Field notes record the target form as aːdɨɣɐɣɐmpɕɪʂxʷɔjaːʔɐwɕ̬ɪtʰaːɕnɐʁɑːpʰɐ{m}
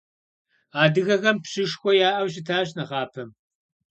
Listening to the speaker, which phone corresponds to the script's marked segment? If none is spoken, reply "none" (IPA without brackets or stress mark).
m